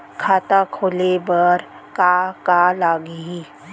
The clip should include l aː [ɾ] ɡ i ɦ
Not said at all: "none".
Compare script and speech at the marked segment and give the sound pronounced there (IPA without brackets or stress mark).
none